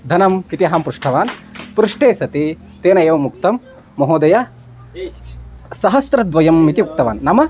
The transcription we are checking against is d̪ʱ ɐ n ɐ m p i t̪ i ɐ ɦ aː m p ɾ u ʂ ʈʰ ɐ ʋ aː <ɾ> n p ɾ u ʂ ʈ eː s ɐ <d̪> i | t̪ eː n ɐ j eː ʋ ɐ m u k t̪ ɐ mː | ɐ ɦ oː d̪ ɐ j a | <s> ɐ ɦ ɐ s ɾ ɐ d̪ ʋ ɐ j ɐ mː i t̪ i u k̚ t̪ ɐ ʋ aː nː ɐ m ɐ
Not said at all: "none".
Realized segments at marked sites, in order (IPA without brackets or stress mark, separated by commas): none, t̪, s